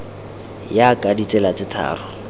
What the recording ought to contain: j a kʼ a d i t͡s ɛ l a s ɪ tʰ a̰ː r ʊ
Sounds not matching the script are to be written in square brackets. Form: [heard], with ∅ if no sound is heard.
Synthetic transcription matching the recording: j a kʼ a d i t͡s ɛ l a [t͡s] ɪ tʰ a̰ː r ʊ

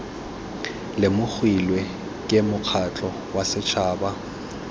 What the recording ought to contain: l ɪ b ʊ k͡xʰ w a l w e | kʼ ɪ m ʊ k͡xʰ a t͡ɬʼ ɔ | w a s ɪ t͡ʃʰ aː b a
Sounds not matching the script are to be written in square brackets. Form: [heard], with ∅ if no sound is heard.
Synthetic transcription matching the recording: l ɪ [m] ʊ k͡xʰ w [i] l w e | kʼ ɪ m ʊ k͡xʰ a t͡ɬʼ ɔ | w a s ɪ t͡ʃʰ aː b a

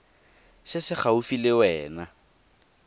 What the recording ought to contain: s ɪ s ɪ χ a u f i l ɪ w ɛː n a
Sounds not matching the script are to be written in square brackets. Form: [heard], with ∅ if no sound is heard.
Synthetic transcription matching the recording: s ɪ s ɪ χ a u f i l ɪ w ɛː n a

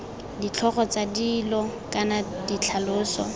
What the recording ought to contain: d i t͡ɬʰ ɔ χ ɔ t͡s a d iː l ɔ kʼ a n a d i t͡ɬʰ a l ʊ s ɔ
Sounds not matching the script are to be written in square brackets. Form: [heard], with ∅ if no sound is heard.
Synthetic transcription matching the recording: d i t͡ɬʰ ɔ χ ɔ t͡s a d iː l ɔ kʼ a n a d i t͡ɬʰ a l [ʊː] s ɔ

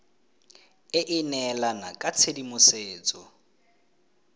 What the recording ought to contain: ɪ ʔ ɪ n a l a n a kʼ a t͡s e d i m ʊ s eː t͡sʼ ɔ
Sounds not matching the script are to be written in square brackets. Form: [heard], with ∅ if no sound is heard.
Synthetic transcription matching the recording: ɪ ʔ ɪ n [ɛ] l a n a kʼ a [t͡sʰ] e d i m ʊ s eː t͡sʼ ɔ

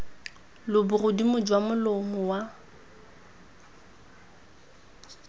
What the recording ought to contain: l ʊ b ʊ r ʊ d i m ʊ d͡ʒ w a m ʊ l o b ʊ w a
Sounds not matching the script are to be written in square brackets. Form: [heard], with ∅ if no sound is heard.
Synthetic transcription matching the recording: l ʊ b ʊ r ʊ d i m ʊ d͡ʒ w a m ʊ l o [m] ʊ w a

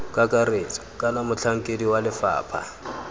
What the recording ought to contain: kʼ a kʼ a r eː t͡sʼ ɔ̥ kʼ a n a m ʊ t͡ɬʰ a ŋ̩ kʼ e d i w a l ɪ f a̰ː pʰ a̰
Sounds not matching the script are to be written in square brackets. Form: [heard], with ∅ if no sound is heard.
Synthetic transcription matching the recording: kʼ a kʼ a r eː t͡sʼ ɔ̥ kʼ a n a m ʊ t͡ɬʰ a ŋ̩ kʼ e d i w a l ɪ f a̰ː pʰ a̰

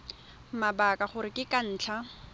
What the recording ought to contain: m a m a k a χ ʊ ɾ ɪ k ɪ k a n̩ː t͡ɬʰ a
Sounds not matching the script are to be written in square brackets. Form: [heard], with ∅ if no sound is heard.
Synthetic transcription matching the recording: m a [b] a k a χ ʊ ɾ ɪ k ɪ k a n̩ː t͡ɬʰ a

